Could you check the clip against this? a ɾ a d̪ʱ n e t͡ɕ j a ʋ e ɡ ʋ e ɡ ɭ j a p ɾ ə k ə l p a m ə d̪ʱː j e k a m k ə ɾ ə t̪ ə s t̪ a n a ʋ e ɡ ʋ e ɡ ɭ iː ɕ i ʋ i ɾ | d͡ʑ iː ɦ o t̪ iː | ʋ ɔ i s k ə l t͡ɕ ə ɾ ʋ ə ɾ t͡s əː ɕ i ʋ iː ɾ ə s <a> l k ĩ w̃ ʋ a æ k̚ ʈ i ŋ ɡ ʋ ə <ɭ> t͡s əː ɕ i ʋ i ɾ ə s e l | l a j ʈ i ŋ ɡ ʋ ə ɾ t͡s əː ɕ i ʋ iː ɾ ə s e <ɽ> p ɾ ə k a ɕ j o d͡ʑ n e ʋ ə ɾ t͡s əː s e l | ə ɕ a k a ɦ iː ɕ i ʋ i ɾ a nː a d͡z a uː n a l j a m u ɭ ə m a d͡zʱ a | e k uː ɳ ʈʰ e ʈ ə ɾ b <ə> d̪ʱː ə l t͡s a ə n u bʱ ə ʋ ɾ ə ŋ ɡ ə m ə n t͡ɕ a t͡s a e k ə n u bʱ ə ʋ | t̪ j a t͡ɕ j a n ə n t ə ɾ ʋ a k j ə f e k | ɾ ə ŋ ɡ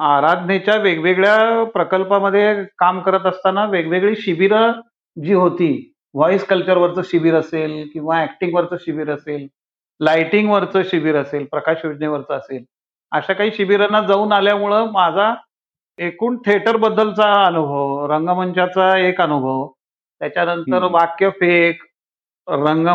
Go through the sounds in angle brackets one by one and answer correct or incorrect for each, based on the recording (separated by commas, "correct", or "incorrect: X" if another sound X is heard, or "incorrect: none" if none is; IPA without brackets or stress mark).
incorrect: e, incorrect: ɾ, incorrect: l, correct